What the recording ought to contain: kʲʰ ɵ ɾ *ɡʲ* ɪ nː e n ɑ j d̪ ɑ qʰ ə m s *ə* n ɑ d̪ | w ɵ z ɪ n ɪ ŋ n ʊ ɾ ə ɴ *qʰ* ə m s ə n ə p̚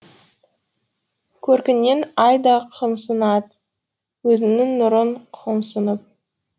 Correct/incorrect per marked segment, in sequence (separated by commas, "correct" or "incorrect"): incorrect, correct, correct